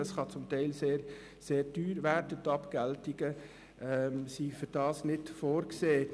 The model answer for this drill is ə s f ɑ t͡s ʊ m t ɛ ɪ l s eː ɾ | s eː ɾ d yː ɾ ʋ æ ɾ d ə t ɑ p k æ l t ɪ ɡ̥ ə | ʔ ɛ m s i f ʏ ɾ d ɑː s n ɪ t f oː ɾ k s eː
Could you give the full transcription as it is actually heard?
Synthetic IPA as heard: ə s χ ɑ t͡s ʊ m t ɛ ɪ l s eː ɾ | s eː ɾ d yː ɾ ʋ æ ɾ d ə t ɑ p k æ l t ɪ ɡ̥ ə | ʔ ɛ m s i f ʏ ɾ d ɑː s n ɪ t f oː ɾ k s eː